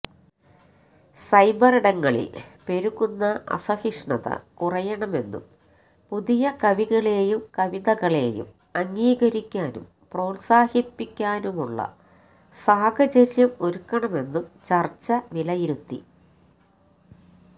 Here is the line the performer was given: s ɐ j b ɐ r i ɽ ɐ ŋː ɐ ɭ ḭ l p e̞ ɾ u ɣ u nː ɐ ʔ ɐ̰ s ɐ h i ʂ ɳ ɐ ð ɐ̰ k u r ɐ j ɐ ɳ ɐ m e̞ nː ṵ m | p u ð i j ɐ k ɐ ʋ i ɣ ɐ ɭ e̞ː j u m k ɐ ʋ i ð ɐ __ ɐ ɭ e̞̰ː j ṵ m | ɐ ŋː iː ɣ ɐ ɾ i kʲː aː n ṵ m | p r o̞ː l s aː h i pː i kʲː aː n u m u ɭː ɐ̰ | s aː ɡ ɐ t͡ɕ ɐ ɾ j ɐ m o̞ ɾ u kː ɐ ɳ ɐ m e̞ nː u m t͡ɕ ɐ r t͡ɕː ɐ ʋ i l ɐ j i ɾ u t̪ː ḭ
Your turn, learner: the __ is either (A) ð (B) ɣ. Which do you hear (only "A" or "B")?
B